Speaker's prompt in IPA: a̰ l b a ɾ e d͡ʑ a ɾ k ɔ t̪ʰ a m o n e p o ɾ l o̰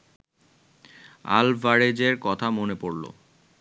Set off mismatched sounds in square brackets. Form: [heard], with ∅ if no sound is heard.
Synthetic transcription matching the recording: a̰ l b a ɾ e d͡ʑ [e] ɾ k ɔ t̪ʰ a m o n e p o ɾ l o̰